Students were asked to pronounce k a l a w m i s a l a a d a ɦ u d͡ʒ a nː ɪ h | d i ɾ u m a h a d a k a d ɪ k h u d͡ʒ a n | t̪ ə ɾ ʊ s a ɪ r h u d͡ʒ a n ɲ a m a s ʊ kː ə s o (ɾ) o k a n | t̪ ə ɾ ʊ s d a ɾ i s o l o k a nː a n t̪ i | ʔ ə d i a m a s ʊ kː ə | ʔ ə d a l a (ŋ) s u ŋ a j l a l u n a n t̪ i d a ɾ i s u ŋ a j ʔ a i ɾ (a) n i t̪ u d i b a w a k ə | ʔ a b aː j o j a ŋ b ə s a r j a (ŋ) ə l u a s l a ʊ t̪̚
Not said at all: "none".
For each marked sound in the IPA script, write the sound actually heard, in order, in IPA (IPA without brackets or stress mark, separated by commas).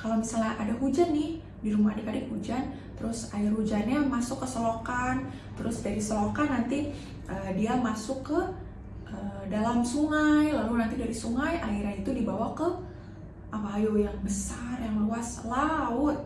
l, m, a, ŋ